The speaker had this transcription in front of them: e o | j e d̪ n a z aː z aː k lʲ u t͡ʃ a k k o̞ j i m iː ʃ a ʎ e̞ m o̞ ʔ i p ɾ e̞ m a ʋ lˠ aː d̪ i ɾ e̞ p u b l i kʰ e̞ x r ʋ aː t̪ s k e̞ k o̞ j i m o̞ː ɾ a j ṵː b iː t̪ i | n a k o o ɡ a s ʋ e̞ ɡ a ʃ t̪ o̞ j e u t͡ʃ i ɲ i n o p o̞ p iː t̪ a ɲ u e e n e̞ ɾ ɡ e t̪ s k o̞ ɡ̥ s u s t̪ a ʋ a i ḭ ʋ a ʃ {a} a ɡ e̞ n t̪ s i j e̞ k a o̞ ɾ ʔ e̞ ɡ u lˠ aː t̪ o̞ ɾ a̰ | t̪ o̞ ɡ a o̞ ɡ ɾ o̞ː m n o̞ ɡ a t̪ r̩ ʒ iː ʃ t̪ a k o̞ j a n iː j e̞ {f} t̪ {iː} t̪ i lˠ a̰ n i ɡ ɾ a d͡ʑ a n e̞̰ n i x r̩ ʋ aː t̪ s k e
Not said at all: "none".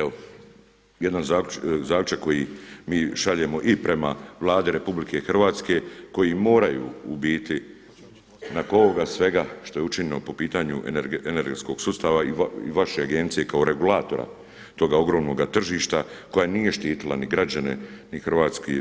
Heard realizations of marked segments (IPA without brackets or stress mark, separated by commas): e, ʃ, iː